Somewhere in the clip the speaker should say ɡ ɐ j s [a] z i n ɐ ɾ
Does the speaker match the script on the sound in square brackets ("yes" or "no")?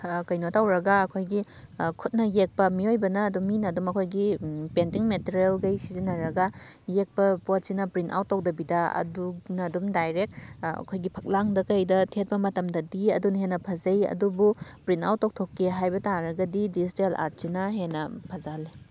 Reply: no